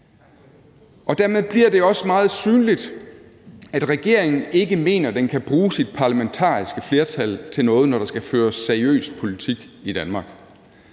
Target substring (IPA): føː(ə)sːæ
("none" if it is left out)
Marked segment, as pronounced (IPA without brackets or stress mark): ɐ